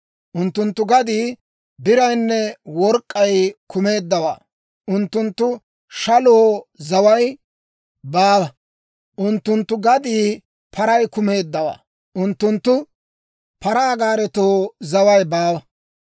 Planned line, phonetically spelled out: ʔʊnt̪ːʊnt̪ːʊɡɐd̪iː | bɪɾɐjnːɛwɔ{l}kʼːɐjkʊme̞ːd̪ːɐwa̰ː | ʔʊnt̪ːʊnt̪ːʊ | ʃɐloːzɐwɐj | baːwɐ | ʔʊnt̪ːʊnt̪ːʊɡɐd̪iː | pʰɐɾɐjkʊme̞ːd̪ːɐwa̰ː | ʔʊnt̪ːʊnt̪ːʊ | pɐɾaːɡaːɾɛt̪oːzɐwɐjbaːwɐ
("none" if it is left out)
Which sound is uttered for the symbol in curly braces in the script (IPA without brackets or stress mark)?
ɾ